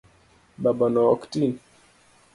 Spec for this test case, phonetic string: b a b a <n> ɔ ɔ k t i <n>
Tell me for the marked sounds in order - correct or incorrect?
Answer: correct, correct

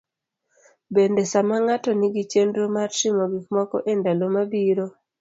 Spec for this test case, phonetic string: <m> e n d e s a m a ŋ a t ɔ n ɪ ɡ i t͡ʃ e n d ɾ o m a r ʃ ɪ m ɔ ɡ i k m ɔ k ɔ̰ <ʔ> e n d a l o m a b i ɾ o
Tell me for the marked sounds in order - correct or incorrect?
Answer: incorrect, correct

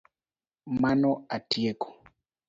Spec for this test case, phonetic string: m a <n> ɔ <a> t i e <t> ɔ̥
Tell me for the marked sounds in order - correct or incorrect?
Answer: correct, correct, incorrect

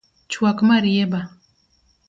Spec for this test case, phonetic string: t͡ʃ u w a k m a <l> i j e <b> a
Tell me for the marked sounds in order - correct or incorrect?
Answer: incorrect, correct

